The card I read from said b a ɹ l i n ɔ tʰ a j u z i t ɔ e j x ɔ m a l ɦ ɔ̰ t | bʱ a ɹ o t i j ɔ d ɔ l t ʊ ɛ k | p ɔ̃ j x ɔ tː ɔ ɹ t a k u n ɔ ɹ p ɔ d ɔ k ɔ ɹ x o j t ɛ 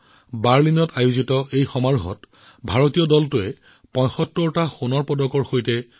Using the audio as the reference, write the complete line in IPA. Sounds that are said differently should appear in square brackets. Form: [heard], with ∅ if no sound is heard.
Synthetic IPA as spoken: b a ɹ l i n ɔ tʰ a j u z i t ɔ e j x ɔ m a [ɹ] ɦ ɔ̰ t | bʱ a ɹ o t i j ɔ d ɔ l t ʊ ɛ [∅] | p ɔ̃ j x ɔ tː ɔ ɹ t a [x] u n ɔ ɹ p ɔ d ɔ k ɔ ɹ x o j t ɛ